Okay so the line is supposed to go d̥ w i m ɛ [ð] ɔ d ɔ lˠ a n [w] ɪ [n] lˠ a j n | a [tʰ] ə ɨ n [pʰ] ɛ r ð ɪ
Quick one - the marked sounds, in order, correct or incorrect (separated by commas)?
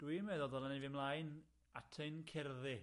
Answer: correct, incorrect, incorrect, correct, incorrect